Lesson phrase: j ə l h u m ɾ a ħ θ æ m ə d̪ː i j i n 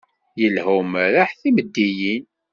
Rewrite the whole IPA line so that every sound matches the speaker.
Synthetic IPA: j ə l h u m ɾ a ħ θ i m ə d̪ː i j i n